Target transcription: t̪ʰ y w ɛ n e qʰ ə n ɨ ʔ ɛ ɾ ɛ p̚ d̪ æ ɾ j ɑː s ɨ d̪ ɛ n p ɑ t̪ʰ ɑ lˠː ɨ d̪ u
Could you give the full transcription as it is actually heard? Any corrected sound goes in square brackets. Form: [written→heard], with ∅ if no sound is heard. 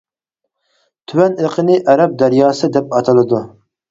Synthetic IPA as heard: t̪ʰ y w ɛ n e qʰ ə n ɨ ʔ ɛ ɾ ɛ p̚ d̪ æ ɾ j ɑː s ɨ d̪ ɛ [n→∅] p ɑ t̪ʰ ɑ [lˠː→lˠ] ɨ d̪ u